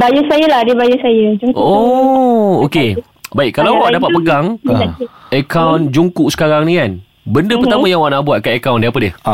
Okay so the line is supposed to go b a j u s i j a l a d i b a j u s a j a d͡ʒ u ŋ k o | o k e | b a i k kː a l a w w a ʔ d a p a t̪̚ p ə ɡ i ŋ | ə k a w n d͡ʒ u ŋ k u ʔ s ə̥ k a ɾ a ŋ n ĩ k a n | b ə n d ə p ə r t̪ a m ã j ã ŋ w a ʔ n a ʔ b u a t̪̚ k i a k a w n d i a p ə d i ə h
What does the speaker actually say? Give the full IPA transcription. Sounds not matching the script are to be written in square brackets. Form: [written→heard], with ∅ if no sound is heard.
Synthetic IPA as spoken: b a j u s [i→a] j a l a d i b a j u s a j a d͡ʒ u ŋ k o | o k e | b a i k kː a l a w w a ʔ d a p a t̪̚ p ə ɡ [i→a] ŋ | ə k a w n d͡ʒ u ŋ k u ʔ s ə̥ k a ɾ a ŋ n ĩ k a n | b ə n d ə p ə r t̪ a m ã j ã ŋ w a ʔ n a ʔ b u a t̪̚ k [i→a] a k a w n d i a p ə d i ə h